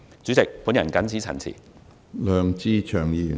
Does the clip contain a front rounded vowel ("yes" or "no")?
yes